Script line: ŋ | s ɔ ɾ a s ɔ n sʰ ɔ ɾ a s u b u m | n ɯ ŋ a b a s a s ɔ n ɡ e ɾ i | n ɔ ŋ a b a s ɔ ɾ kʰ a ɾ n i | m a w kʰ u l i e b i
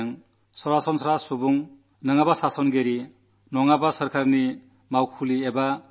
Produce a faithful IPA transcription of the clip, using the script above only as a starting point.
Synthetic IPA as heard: ŋ | s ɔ ɾ a s ɔ n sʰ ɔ ɾ a s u b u ŋ | n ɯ ŋ a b a s a s ɔ n ɡ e ɾ i | n ɔ ŋ a b a s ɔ ɾ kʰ a ɾ n i | m a w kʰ u l i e b a